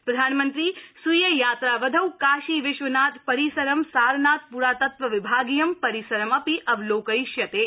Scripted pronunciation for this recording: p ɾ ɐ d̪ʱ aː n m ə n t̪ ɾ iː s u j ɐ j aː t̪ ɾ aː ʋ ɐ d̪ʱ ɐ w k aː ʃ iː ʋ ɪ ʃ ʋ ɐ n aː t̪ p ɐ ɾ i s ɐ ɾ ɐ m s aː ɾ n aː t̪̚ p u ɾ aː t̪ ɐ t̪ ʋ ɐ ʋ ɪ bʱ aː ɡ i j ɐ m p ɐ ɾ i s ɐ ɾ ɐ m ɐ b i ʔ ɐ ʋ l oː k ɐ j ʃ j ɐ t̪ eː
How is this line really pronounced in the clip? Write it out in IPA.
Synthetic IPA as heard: p ɾ ɐ d̪ʱ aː n m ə n t̪ ɾ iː s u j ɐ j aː t̪ ɾ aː ʋ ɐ d̪ʱ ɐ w k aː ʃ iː ʋ ɪ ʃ ʋ ɐ n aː t̪ p ɐ ɾ i s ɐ ɾ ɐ m s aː ɾ n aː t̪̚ p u ɾ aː t̪ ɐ t̪ ʋ ɐ ʋ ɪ bʱ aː ɡ i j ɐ m p ɐ ɾ i s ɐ ɾ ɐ m ɐ p i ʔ ɐ ʋ l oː k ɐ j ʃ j ɐ t̪ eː